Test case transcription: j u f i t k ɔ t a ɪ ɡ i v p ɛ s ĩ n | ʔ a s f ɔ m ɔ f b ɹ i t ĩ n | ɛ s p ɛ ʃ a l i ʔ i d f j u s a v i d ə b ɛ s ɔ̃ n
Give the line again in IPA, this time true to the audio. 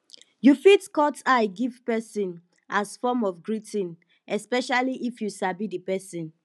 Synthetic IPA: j u f i t k ɔ t a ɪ ɡ i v p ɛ s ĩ n | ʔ a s f ɔ m ɔ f ɡ ɹ i t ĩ n | ɛ s p ɛ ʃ a l i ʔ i f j u s a b i d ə p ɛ s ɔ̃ n